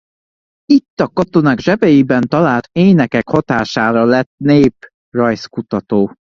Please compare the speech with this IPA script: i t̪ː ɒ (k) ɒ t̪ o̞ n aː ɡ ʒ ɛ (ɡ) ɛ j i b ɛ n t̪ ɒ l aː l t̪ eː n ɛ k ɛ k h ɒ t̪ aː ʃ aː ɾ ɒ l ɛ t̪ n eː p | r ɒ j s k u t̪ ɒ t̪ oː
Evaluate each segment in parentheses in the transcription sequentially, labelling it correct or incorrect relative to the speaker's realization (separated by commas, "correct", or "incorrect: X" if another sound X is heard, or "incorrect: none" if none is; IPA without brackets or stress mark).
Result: correct, incorrect: b